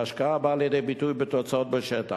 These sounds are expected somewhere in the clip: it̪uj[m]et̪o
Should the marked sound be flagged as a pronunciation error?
yes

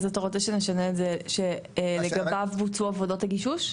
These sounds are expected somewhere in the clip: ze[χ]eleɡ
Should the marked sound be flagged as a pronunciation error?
yes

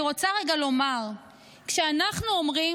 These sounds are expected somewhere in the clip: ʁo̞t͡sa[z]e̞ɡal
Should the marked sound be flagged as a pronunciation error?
yes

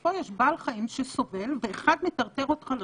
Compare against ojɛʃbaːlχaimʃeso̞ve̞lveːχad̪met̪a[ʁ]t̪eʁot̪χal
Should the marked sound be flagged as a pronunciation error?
no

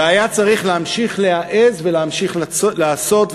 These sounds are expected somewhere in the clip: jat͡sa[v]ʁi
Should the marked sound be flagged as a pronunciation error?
yes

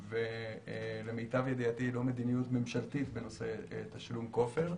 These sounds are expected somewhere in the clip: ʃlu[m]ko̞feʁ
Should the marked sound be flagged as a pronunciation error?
no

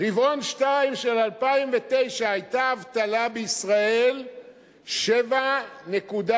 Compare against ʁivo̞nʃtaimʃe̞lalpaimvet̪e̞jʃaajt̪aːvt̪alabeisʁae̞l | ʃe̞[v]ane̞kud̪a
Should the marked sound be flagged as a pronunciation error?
no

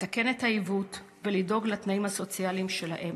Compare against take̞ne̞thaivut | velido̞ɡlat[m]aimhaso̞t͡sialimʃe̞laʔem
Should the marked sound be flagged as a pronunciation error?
yes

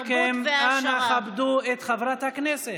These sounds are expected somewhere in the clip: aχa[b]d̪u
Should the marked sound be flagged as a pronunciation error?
no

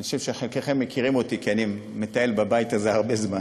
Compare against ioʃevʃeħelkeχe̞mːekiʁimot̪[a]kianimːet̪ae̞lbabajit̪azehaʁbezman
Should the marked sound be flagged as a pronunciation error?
yes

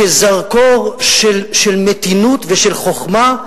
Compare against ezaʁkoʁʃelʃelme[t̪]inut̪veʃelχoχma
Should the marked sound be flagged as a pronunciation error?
no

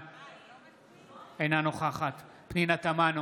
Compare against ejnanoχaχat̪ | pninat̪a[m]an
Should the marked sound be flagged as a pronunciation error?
no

